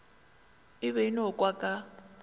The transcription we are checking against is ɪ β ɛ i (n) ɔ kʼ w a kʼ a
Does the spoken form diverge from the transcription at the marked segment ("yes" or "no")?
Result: no